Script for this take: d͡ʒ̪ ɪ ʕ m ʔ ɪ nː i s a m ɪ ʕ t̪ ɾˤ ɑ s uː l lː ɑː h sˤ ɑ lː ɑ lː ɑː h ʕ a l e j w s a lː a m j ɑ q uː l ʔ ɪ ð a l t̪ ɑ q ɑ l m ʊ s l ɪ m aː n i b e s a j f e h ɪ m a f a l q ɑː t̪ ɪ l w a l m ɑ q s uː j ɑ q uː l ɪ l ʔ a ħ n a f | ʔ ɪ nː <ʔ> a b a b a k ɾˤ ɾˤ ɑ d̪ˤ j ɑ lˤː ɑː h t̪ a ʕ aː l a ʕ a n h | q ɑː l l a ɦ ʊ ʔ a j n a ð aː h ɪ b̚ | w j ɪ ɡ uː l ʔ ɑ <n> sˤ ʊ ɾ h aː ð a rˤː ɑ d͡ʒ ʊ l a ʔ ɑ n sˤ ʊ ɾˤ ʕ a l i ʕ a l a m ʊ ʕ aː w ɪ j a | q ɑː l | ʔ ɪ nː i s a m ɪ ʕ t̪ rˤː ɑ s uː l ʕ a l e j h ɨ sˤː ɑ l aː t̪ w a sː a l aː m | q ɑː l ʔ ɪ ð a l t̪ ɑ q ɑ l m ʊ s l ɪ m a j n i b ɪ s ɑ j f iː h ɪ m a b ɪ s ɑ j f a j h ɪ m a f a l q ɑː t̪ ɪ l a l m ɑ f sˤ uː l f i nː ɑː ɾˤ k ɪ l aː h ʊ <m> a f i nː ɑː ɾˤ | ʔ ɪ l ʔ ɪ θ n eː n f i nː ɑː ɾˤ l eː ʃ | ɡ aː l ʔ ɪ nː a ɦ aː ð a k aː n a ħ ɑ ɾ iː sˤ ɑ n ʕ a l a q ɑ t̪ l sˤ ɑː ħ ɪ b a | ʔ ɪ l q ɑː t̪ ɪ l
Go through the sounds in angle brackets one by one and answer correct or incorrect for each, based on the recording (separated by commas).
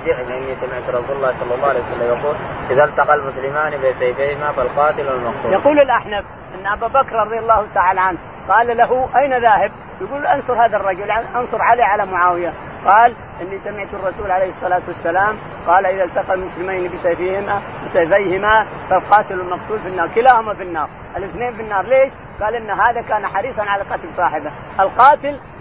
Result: correct, correct, correct